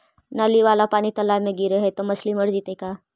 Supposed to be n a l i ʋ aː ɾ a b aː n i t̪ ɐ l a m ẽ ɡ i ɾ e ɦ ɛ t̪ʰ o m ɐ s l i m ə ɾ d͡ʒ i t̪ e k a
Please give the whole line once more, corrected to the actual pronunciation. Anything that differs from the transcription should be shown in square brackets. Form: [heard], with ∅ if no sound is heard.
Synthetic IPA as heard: n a l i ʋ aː [l] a [p] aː n i t̪ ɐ l a m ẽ ɡ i ɾ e ɦ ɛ [t̪] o m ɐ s l i m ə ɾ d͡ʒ i t̪ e k a